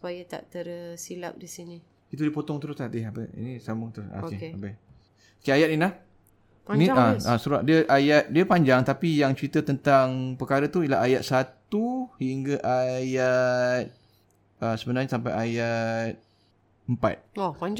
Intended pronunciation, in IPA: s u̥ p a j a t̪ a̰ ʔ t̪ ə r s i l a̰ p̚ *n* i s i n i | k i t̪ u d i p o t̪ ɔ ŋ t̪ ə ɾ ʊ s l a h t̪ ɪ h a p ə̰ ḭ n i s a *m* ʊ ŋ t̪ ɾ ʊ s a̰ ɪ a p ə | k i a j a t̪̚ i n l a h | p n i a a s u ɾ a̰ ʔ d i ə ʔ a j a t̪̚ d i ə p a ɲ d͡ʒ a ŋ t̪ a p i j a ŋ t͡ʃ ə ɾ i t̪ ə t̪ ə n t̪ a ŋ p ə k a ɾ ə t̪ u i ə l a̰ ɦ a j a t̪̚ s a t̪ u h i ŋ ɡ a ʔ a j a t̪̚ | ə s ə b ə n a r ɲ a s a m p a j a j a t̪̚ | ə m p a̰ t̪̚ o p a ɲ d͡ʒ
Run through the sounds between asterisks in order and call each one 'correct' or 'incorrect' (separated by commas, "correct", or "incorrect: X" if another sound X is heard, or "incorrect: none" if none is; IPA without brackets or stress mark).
incorrect: d, correct